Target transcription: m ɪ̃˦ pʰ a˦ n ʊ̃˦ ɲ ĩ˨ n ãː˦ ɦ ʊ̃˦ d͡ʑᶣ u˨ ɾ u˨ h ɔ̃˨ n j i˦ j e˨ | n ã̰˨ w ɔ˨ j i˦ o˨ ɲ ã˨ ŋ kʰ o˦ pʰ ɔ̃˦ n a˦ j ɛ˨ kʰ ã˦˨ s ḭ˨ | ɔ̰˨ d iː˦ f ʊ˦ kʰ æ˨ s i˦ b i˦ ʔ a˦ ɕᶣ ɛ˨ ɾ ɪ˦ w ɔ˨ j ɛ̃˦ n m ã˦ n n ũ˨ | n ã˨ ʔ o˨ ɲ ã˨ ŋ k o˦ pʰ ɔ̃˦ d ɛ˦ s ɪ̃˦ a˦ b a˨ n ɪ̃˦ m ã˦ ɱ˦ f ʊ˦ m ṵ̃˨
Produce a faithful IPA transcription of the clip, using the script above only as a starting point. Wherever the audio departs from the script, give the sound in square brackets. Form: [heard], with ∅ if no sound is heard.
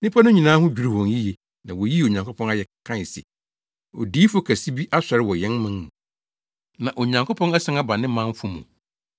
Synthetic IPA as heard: [n] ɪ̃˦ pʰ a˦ n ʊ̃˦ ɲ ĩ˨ n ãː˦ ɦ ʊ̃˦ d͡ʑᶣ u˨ ɾ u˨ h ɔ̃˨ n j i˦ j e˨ | n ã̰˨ w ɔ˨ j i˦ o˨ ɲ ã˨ ŋ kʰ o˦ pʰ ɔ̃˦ n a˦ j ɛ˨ kʰ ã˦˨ s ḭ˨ | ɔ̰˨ d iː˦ f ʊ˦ kʰ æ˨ s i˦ b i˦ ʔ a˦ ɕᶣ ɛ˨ ɾ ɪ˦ w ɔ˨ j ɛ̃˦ n m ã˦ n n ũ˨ | n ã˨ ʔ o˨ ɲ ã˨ ŋ k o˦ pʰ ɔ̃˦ [n] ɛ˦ s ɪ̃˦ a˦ b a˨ n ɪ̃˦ m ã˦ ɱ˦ f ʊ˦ m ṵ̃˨